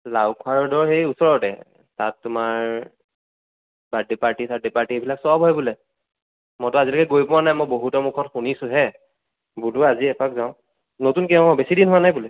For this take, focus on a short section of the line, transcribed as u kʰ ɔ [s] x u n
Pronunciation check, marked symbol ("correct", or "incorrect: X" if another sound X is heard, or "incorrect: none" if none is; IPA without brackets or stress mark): incorrect: t